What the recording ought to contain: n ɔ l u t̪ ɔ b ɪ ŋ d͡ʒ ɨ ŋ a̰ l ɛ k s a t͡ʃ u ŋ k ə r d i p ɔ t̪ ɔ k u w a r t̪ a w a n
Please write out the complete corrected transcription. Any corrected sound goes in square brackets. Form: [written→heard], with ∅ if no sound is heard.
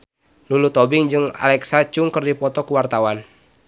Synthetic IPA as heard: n [ɔ→u] l u t̪ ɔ b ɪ ŋ d͡ʒ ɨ ŋ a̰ l ɛ k s a t͡ʃ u ŋ k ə r d i p ɔ t̪ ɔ k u w a r t̪ a w a n